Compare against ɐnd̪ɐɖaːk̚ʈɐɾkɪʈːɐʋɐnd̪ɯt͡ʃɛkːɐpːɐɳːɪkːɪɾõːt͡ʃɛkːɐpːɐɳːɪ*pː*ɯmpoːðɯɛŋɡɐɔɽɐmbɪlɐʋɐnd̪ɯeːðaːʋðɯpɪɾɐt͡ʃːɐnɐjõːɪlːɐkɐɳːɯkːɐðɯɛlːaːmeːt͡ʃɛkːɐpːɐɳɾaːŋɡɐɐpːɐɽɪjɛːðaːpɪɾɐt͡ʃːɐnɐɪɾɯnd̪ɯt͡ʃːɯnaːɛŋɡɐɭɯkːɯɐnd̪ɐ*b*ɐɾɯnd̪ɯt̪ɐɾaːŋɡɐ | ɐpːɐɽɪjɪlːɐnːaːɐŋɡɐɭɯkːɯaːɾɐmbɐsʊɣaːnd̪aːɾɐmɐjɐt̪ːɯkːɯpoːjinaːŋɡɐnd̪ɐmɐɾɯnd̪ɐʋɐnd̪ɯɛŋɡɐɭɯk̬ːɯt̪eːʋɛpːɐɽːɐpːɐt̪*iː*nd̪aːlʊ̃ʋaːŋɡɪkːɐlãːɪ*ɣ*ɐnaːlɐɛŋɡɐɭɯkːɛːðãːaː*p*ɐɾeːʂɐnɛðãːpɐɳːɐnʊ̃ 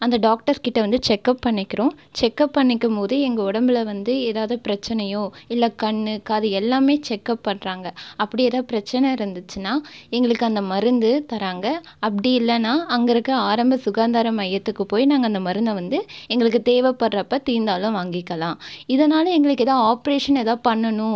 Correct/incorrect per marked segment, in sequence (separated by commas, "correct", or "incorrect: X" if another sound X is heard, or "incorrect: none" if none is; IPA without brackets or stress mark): incorrect: kː, incorrect: m, correct, incorrect: ð, correct